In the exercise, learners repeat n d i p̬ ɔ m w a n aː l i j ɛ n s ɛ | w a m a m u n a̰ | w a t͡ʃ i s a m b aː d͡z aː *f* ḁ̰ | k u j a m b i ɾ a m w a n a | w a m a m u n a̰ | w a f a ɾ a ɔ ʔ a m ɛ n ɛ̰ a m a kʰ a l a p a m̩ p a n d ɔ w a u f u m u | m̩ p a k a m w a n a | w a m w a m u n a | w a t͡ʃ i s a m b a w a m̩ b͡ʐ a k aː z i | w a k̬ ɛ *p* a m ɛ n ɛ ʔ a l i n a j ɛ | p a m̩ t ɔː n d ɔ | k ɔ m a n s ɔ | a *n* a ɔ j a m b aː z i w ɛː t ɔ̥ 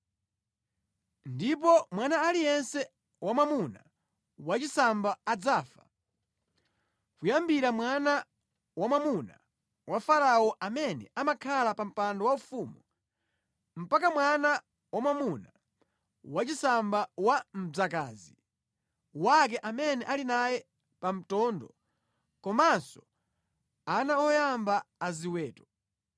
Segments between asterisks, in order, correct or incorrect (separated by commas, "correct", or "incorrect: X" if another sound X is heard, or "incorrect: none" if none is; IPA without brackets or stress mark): correct, incorrect: ʔ, correct